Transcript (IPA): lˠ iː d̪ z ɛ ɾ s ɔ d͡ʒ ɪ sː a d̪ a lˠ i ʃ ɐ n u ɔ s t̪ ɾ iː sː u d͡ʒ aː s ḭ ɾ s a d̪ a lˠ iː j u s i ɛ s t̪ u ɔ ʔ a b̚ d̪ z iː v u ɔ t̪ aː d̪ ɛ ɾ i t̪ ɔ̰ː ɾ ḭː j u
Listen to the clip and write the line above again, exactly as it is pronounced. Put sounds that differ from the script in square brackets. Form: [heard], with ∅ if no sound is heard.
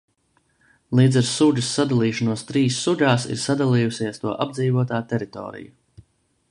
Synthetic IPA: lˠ iː d̪ z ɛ ɾ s [u] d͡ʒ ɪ sː a d̪ a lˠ [iː] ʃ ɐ n u ɔ s t̪ ɾ iː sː u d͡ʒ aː s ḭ ɾ s a d̪ a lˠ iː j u s i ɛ s t̪ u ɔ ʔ a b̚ d̪ z iː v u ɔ t̪ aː [t̪] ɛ ɾ i t̪ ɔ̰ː ɾ [ḭ] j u